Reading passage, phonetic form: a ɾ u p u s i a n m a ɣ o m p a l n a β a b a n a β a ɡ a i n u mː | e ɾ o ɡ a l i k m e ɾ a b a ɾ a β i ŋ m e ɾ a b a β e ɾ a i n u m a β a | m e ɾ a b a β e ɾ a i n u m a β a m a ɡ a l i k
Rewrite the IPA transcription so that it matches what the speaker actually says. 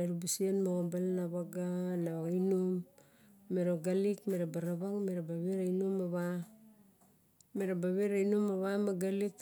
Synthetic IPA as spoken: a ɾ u b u s i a n m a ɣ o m b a l n a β a ɡ a n a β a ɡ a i n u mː | e ɾ o ɡ a l i k m e ɾ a b a ɾ a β a ŋ m e ɾ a b a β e ɾ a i n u m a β a | m e ɾ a b a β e ɾ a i n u m a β a m a ɡ a l i k